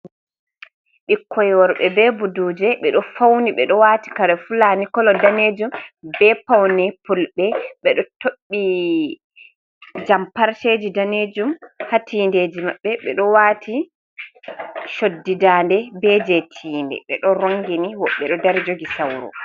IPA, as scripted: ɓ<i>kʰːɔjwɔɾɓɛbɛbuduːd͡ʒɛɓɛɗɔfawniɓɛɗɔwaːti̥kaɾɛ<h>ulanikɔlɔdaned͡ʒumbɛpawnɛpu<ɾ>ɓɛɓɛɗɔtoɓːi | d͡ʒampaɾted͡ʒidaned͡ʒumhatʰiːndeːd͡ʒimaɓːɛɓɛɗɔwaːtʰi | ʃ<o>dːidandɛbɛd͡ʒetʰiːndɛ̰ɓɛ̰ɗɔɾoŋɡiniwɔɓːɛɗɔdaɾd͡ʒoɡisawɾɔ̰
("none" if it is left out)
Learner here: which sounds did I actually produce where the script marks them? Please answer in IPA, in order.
i, f, l, o

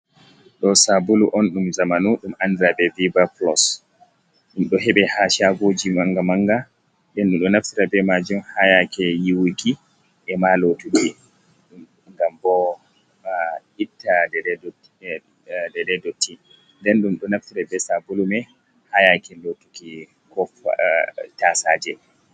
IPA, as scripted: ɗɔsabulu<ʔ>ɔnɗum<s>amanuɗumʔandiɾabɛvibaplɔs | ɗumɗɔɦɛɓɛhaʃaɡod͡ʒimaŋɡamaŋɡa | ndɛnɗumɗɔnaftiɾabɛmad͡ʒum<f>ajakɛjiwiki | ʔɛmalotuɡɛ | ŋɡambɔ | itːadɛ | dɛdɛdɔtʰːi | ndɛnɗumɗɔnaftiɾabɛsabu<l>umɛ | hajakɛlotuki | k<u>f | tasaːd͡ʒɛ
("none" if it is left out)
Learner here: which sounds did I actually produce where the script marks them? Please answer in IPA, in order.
ʔ, z, h, l, ɔ

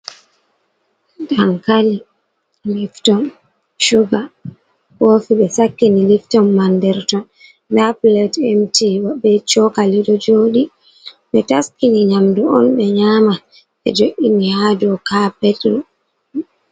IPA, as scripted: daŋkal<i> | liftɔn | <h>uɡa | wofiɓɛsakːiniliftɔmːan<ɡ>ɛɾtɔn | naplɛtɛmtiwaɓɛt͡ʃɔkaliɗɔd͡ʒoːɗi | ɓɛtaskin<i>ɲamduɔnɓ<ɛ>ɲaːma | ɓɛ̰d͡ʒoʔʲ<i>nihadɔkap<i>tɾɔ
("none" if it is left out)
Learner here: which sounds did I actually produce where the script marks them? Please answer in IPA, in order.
i, ʃ, d, i, ɛ, i, ɛ

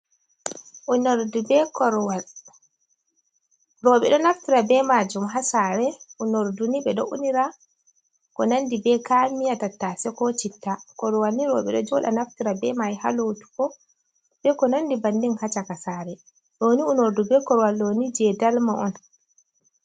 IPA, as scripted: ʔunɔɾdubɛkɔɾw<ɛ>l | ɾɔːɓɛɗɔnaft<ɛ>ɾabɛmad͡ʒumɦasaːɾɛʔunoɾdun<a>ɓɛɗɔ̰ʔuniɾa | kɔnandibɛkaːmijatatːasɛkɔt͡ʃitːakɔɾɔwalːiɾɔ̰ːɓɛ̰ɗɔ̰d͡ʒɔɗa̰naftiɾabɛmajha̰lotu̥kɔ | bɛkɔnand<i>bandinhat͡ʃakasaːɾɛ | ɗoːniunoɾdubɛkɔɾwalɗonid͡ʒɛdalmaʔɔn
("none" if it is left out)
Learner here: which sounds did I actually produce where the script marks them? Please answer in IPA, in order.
a, i, i, i

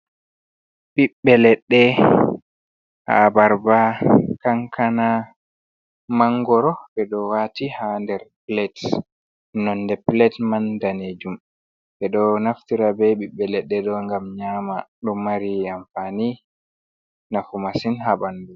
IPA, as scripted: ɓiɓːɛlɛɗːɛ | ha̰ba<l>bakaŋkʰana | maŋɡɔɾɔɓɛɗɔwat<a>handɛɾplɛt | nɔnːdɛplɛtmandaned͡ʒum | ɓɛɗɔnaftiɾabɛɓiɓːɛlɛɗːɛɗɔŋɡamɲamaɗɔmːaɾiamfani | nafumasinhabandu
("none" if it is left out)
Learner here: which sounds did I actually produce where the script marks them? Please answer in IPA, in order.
ɾ, i

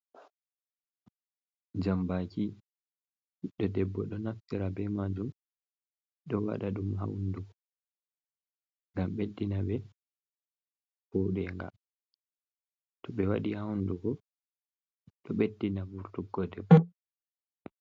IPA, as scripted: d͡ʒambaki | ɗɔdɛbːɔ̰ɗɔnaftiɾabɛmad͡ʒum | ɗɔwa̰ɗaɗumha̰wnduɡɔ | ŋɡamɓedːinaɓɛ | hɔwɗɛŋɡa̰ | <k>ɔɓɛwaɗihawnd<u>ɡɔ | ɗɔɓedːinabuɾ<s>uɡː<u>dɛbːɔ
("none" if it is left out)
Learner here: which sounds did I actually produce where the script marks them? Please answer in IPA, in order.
t, u, t, ɔ

